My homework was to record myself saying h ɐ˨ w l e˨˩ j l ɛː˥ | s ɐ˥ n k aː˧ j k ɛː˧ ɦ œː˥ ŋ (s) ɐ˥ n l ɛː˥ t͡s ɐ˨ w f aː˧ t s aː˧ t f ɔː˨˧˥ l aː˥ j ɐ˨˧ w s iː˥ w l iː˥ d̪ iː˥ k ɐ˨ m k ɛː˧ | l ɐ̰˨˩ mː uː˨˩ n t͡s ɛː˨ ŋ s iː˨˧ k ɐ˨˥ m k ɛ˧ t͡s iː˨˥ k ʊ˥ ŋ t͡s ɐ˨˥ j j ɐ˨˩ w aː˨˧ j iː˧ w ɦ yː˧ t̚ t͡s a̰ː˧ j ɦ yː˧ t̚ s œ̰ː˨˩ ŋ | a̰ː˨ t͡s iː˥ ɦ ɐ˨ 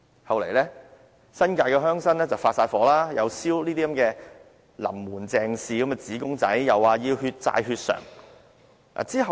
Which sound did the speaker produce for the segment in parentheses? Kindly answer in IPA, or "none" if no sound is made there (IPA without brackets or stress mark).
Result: s